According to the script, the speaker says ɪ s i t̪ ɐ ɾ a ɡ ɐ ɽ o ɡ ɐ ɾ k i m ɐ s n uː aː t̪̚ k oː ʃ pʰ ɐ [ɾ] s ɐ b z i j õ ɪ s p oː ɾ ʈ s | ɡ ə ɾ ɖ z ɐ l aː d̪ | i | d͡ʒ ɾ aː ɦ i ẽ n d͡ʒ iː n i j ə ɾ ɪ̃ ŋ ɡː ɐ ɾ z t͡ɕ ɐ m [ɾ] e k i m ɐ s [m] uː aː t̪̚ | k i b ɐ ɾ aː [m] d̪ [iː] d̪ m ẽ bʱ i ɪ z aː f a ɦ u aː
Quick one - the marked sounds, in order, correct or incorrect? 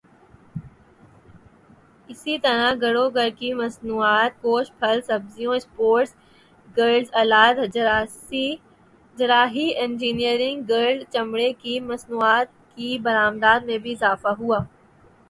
incorrect: l, incorrect: ɽ, incorrect: n, correct, incorrect: aː

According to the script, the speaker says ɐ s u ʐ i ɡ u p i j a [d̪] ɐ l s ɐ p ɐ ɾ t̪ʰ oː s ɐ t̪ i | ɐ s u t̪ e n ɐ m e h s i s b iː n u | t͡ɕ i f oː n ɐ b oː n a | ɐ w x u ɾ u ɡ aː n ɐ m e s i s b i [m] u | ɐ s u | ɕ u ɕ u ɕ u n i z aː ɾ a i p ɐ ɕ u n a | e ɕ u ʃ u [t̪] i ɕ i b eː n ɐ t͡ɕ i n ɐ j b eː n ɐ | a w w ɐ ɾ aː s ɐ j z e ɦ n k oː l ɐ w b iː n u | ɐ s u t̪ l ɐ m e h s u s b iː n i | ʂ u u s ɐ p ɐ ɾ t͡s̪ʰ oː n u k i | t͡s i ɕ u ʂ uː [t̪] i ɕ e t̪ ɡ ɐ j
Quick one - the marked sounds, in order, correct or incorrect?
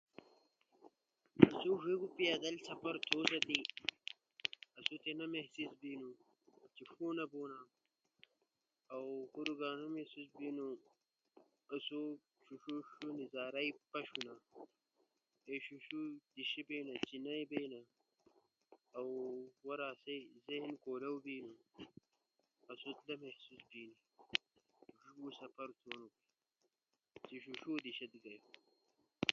correct, incorrect: n, incorrect: d̪, incorrect: d̪

